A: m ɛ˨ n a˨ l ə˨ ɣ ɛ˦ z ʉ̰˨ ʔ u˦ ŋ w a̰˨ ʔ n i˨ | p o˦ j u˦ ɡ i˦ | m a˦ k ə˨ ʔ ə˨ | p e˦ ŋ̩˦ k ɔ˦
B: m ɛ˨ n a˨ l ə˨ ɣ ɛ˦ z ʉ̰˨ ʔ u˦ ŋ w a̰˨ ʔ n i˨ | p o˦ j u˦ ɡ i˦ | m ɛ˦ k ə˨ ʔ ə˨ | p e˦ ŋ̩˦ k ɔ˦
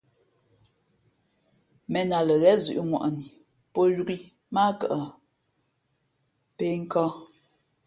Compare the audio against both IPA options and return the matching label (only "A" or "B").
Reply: A